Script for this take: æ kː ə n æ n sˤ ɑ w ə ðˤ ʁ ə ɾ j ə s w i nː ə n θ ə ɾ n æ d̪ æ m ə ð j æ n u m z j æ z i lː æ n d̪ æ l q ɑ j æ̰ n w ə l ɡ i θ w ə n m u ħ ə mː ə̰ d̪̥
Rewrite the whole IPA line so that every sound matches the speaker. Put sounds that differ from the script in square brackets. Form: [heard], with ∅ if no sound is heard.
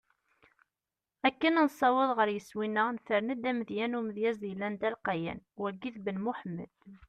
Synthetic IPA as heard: æ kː ə n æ n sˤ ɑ w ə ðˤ ʁ ə ɾ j ə s w i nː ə n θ ə ɾ n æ d̪ æ m ə ð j æ n u m [ð] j æ z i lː æ n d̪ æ l q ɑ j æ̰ n w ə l ɡ i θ [b] ə n m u ħ ə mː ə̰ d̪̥